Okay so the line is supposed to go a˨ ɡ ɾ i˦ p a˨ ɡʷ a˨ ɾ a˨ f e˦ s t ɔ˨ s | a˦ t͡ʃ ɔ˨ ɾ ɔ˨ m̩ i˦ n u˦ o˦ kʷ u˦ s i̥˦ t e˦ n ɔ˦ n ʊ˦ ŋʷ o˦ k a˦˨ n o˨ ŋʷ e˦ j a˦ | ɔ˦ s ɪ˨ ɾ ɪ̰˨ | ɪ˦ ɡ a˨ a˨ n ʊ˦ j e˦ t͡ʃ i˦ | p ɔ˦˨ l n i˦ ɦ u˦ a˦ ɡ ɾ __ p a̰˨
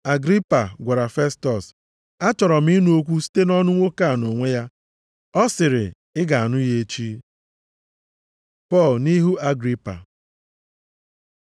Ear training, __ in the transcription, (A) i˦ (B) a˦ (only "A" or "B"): A